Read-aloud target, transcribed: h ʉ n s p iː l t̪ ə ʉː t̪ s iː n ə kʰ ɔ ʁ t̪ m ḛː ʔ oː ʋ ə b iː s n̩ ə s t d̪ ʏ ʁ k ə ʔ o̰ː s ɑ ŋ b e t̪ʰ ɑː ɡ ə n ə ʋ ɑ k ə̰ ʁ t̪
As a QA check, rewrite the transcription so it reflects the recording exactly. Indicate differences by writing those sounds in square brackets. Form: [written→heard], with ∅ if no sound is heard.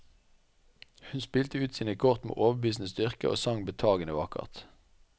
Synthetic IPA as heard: h ʉ n s p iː l t̪ ə ʉː t̪ s iː n ə kʰ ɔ ʁ t̪ m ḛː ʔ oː ʋ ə b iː s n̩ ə s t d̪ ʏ ʁ k ə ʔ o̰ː s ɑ ŋ b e t̪ʰ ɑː ɡ ə n ə ʋ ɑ k ə̰ ʁ t̪